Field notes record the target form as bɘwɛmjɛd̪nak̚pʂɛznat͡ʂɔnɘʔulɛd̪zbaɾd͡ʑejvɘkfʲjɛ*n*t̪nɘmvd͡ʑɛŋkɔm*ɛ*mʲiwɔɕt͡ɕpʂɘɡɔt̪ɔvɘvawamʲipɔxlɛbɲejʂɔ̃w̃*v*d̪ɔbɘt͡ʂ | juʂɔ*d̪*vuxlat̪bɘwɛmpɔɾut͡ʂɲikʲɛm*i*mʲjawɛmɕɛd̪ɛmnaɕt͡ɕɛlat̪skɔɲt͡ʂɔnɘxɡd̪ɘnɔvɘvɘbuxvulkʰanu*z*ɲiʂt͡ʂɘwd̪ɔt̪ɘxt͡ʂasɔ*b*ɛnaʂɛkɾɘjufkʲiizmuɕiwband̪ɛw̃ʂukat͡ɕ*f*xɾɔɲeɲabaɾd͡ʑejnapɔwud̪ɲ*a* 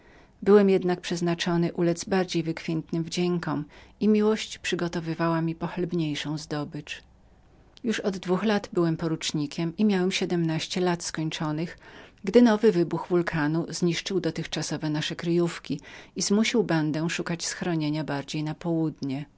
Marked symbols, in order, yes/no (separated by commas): yes, no, no, no, yes, yes, no, no, no